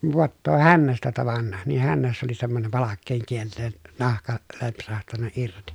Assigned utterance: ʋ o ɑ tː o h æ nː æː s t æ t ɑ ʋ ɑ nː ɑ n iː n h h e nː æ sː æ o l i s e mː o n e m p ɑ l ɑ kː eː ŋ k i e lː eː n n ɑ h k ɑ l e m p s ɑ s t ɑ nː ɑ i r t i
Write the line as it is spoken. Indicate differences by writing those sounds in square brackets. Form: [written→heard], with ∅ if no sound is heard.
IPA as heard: ʋ o ɑ tː [o→oː] h æ nː [æː→æ] s t æ t ɑ ʋ ɑ nː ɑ n iː [n→∅] h h [e→æ] nː æ sː æ o l i s e mː o n e m p ɑ l ɑ kː eː ŋ k i e lː eː n n ɑ h k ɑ l e m p s ɑ [s→h] t ɑ nː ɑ i r t i